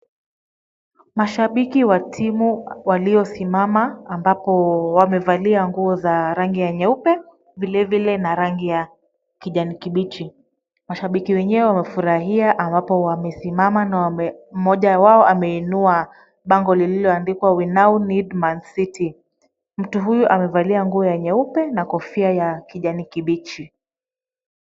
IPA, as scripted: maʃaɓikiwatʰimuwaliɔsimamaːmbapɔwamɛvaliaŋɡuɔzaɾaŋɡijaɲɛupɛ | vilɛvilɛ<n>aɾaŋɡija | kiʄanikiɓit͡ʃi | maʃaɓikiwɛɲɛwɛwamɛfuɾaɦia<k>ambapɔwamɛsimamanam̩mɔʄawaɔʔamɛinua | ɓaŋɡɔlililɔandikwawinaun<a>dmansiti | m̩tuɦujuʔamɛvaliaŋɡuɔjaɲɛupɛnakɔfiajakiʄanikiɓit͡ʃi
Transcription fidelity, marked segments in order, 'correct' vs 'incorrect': correct, incorrect: ʔ, incorrect: i

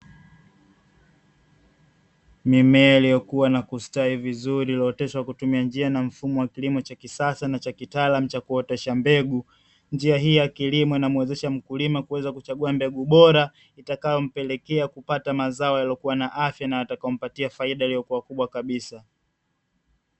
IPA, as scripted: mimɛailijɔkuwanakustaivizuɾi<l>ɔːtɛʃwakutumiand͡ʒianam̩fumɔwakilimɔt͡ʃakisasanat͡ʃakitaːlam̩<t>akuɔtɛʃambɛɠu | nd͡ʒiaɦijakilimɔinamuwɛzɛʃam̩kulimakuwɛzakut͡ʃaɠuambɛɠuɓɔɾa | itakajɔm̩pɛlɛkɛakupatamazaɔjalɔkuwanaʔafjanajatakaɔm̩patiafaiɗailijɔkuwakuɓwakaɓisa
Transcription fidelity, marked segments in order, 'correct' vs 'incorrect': correct, incorrect: t͡ʃ

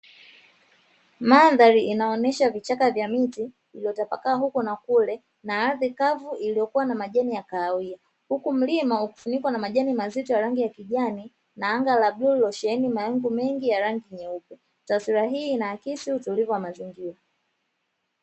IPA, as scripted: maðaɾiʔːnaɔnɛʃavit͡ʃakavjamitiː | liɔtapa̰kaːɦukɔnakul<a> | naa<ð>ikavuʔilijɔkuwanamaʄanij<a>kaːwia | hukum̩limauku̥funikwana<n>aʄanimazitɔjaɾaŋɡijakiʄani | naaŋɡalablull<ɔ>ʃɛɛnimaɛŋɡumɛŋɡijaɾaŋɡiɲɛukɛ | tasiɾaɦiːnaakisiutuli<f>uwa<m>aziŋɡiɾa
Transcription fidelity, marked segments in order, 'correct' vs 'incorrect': incorrect: ɛ, correct, correct, incorrect: m, correct, incorrect: v, correct

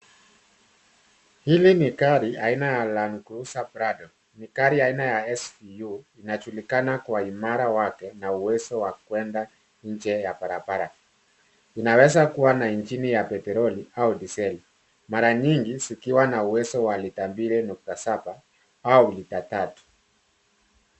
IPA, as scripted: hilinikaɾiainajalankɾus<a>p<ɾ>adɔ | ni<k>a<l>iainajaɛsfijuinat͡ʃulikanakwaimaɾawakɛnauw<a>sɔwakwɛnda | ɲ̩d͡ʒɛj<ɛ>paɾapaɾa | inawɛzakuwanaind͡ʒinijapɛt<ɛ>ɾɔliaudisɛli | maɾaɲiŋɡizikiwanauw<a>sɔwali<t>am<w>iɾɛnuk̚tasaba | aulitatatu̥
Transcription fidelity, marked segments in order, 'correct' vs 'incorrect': correct, correct, correct, incorrect: ɾ, incorrect: ɛ, incorrect: a, correct, incorrect: ɛ, correct, incorrect: b

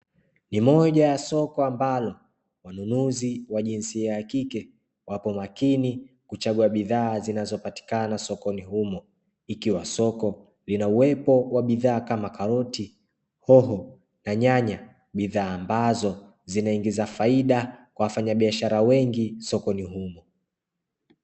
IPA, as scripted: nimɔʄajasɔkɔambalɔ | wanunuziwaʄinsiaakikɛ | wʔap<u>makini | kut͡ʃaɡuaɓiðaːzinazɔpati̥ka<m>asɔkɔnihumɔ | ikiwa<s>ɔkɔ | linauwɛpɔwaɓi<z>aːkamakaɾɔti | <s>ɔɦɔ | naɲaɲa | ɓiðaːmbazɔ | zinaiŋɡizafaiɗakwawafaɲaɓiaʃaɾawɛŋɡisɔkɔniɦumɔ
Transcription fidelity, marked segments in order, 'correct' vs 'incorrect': incorrect: ɔ, incorrect: n, correct, incorrect: ð, incorrect: h

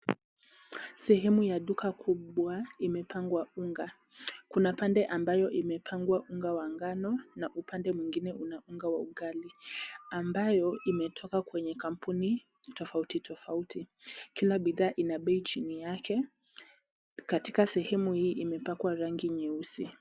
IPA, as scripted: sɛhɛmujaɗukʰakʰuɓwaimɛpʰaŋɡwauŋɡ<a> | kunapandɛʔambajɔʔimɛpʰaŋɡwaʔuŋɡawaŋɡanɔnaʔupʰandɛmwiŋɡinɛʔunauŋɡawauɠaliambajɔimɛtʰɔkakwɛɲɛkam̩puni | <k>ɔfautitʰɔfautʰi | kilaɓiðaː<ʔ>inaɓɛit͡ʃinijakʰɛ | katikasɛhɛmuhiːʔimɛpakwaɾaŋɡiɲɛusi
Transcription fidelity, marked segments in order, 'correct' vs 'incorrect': correct, incorrect: t, correct

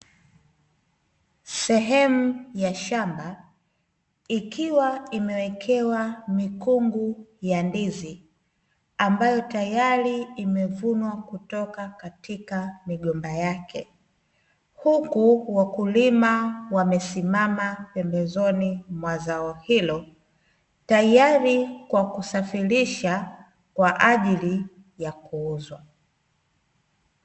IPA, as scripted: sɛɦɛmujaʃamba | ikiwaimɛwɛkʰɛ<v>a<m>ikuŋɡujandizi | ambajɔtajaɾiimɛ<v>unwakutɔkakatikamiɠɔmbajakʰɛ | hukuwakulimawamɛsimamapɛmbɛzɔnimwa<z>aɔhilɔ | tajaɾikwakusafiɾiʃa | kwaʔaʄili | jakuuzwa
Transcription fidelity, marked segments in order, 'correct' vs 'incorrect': incorrect: w, correct, correct, correct

